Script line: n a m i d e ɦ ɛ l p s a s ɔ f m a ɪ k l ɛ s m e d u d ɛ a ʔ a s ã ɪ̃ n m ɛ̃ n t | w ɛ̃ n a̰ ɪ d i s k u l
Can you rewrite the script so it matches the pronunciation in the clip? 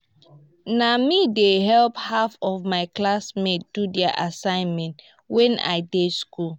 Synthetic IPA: n a m i d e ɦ ɛ l p h a f ɔ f m a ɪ k l a s m e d u d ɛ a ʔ a s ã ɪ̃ n m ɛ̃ n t | w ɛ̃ n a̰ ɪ d e s k u l